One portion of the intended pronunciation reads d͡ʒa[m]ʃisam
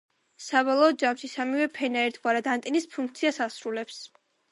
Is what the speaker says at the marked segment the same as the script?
yes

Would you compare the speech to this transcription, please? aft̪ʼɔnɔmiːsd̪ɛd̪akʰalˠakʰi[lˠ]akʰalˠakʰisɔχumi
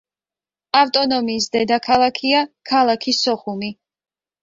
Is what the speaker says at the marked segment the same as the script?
no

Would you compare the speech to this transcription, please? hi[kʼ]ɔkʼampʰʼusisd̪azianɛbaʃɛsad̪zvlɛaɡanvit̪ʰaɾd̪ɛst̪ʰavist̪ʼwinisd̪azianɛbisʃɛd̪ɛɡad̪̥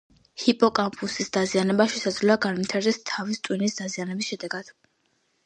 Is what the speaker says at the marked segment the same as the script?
no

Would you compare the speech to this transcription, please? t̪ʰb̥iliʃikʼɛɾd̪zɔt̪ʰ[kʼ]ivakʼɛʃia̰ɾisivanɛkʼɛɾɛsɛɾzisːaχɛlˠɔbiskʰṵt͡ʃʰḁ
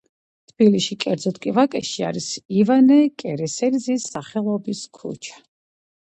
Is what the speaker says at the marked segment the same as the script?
yes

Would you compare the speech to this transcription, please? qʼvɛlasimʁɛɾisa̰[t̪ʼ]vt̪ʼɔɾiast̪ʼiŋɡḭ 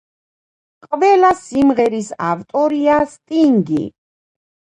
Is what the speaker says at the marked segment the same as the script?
no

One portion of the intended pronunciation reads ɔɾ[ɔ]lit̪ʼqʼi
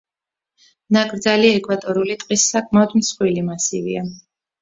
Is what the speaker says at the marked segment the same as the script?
no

